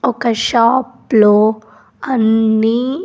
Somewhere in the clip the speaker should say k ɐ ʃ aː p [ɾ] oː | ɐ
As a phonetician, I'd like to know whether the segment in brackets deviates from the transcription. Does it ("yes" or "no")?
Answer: yes